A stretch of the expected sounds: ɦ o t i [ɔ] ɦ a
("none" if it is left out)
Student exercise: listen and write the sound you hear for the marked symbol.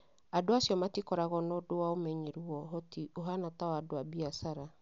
o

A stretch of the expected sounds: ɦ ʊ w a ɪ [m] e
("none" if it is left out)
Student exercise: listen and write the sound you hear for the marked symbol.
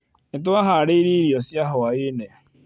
n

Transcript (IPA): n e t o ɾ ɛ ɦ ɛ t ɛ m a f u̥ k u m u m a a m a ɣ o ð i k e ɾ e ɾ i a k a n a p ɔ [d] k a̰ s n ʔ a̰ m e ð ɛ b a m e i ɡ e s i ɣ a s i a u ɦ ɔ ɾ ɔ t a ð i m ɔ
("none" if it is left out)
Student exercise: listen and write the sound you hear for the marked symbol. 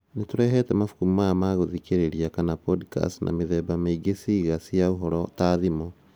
d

